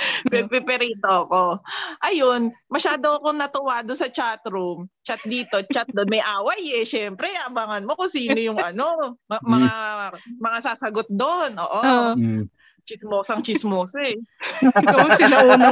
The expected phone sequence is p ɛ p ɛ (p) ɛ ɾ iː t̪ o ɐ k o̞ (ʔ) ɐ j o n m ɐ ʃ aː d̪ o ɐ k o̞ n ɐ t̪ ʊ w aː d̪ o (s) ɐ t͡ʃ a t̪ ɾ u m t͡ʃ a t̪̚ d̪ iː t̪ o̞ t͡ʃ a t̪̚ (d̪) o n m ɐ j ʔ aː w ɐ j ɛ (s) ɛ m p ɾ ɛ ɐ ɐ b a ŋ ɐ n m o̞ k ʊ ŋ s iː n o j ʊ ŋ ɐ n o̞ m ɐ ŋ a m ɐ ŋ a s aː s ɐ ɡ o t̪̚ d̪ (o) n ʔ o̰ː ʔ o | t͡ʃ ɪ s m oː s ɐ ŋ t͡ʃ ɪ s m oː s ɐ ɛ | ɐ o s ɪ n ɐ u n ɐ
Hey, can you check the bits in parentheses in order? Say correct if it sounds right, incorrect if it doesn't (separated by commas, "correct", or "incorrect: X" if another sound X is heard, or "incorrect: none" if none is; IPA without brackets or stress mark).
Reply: correct, correct, correct, correct, incorrect: ʃ, correct